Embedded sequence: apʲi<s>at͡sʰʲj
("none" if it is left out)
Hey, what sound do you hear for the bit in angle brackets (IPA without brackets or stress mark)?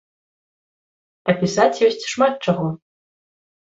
s